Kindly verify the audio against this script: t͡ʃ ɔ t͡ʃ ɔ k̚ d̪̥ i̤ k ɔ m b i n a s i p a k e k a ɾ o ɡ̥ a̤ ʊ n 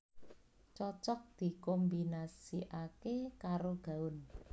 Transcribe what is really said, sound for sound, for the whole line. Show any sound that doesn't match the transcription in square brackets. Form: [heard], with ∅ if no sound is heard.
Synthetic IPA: t͡ʃ ɔ t͡ʃ ɔ k̚ d̪̥ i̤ k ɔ m b i n a s i [ʔ] a k e k a ɾ o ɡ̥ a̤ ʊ n